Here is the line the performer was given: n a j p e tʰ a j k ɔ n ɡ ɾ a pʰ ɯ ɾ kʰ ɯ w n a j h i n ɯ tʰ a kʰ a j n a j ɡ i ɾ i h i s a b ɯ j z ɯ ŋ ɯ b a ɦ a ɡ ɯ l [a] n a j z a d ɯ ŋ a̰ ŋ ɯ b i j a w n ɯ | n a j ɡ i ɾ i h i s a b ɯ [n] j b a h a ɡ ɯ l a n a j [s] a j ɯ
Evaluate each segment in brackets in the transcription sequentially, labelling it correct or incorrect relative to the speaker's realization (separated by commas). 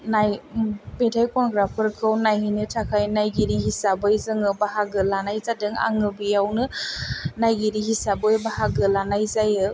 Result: correct, incorrect, incorrect